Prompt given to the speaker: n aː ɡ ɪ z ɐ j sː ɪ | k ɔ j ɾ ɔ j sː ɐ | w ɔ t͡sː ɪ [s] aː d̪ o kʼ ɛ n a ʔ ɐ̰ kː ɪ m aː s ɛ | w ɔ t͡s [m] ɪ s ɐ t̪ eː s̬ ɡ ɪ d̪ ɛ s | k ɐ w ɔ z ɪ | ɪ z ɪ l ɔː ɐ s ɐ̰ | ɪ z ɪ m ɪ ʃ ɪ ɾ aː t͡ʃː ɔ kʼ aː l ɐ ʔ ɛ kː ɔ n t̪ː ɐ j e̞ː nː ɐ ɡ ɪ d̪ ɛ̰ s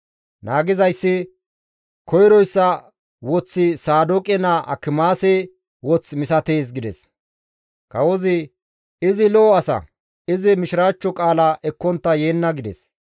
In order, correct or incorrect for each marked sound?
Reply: correct, correct

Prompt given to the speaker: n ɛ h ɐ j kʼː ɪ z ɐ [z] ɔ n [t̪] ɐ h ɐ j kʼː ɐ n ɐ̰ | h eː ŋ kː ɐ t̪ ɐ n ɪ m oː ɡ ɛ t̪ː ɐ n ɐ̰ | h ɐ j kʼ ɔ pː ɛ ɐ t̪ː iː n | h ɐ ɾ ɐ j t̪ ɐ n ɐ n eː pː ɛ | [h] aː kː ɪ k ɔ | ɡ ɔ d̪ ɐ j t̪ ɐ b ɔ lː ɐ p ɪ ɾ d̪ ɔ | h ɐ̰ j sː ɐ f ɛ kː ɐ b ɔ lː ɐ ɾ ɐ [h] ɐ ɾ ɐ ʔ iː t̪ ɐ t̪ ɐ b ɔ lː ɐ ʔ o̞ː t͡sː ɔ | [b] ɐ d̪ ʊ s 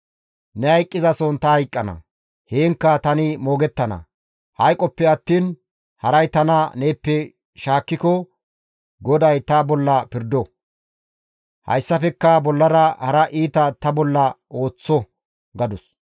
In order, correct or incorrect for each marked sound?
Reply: incorrect, correct, incorrect, correct, incorrect

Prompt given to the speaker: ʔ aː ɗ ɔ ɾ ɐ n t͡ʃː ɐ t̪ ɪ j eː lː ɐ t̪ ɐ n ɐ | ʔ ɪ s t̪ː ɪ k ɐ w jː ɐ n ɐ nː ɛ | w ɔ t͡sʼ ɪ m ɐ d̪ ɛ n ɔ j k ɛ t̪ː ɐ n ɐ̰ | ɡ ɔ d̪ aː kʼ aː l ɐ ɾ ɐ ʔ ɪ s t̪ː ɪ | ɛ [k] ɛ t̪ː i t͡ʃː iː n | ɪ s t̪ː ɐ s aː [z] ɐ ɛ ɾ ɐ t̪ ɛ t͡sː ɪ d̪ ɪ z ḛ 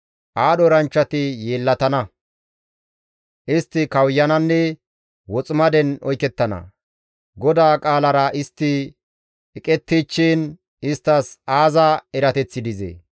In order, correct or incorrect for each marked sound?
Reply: incorrect, correct

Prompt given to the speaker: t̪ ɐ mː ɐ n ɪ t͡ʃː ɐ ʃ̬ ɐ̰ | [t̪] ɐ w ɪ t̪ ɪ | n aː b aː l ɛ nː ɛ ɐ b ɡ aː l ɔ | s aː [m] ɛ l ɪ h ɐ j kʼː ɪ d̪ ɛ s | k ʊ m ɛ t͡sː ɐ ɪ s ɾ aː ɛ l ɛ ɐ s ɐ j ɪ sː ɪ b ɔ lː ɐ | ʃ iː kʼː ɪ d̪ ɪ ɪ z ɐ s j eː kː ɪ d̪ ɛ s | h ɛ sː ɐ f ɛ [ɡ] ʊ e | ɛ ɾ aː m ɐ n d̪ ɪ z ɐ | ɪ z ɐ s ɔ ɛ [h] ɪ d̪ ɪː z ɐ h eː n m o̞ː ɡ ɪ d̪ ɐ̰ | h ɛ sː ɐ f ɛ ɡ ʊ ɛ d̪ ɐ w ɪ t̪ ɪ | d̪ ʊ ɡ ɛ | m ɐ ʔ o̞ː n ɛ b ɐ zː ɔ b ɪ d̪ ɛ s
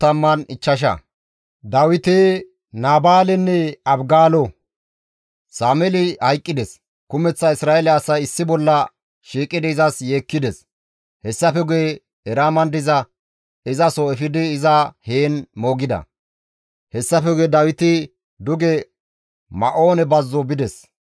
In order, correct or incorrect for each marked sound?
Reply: incorrect, correct, correct, incorrect

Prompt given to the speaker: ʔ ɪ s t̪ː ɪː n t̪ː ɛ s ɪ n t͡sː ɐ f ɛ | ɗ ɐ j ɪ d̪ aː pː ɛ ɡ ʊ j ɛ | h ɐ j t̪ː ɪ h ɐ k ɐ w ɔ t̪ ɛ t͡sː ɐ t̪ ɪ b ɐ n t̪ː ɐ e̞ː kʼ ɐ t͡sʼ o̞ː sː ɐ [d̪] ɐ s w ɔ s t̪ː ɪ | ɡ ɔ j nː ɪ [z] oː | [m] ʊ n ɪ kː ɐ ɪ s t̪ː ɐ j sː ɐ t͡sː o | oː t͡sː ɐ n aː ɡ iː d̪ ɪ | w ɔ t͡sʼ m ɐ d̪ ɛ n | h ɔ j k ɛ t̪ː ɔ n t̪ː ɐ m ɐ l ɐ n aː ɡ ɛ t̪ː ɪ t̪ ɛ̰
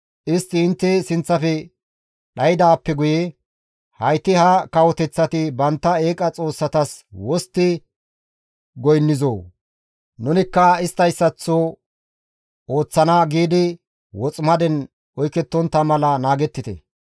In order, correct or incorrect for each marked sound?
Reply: incorrect, correct, incorrect

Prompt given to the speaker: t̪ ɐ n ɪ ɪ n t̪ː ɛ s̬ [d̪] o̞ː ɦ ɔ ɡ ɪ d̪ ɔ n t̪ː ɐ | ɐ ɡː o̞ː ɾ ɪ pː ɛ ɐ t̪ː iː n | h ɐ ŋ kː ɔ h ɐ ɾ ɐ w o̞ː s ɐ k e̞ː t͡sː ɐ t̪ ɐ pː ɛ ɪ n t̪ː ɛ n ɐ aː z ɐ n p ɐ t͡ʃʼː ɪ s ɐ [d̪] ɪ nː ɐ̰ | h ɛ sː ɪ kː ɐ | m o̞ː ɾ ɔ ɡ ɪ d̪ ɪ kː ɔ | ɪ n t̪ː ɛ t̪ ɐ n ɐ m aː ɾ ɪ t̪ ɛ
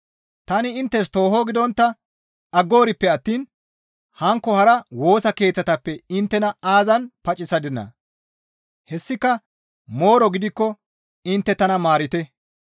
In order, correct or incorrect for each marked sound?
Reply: incorrect, correct

